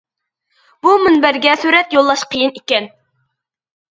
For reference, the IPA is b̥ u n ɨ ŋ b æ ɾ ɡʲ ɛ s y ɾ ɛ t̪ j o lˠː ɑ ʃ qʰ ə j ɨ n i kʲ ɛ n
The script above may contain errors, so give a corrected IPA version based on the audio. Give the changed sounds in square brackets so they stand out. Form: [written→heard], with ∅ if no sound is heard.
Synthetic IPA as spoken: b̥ u [n→m] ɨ [ŋ→n] b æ ɾ ɡʲ ɛ s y ɾ ɛ t̪ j o lˠː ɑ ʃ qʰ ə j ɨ n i kʲ ɛ n